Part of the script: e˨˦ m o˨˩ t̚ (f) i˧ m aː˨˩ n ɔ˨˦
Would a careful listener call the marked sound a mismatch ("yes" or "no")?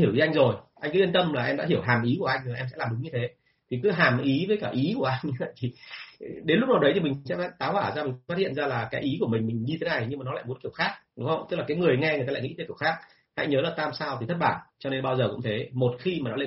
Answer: yes